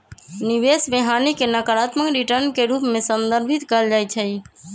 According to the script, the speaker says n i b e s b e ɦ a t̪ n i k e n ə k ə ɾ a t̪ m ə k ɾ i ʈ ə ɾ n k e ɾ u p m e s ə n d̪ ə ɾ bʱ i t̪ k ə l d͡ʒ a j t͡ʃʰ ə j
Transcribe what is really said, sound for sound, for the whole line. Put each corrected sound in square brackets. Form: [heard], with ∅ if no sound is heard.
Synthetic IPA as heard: n i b e s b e ɦ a [∅] n i k e n ə k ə ɾ a t̪ m ə k ɾ i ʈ ə ɾ n k e ɾ u p m e s ə n d̪ ə ɾ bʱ i t̪ k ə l d͡ʒ a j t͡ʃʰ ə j